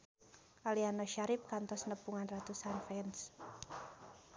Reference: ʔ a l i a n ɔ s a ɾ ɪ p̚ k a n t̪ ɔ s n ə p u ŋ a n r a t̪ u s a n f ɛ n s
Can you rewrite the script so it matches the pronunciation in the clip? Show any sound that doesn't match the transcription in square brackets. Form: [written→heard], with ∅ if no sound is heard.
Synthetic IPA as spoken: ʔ a l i a n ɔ [s→ʃ] a ɾ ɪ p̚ k a n t̪ ɔ s n ə p u ŋ a n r a t̪ u s a n f ɛ n s